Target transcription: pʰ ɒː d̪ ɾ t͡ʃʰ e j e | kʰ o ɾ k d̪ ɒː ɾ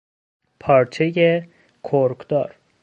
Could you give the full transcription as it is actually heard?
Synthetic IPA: pʰ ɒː ɾ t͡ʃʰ e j e | kʰ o ɾ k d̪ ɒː ɾ